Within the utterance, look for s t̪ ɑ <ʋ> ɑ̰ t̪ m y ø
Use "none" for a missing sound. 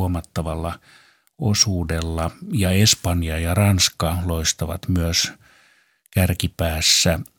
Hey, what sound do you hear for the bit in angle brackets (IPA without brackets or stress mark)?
ʋ